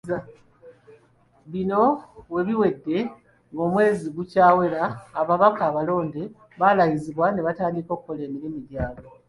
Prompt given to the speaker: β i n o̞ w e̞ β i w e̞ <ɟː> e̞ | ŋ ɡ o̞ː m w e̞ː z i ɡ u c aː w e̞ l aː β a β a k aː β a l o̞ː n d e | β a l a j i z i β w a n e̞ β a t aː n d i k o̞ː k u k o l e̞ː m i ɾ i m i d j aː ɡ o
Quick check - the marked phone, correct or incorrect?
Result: incorrect